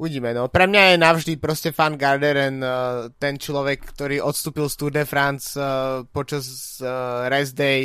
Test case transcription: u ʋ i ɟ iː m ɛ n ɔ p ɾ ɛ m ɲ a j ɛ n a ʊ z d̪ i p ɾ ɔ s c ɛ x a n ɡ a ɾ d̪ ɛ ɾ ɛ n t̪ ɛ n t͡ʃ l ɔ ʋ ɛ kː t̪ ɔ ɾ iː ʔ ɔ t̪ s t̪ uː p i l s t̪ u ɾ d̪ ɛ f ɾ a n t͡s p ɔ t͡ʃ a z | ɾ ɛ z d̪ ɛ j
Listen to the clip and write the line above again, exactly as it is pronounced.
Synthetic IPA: u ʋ i ɟ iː m ɛ n ɔ p ɾ ɛ m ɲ a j ɛ n a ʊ ʒ d̪ i p ɾ ɔ s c ɛ f a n ɡ a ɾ d̪ ɛ ɾ ɛ n t̪ ɛ n t͡ʃ l ɔ ʋ ɛ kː t̪ ɔ ɾ iː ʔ ɔ t̪ s t̪ uː p i l s t̪ u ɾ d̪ ɛ f ɾ a n t͡s p ɔ t͡ʃ a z | ɾ ɛ z d̪ ɛ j